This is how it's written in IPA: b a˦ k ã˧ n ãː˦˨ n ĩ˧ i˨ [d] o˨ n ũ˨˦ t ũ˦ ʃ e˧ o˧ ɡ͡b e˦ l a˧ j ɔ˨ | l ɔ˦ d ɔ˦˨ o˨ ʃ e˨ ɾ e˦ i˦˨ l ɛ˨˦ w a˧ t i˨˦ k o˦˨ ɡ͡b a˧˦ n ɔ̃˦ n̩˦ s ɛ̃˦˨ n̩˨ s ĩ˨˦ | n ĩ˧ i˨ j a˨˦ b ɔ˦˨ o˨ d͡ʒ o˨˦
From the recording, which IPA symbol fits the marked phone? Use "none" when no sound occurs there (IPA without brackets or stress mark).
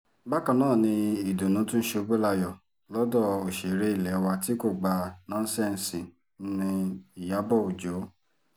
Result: d